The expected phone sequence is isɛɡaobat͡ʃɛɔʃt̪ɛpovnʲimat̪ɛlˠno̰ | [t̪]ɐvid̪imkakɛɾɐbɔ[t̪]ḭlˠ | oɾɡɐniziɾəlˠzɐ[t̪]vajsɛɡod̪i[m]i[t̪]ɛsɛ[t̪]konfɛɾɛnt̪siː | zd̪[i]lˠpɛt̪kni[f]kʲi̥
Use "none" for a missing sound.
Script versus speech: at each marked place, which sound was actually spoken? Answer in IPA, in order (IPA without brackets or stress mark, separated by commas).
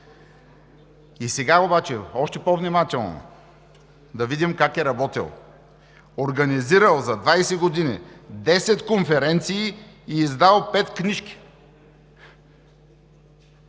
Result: d̪, t̪, d̪, n, d̪, t̪, a, ʃ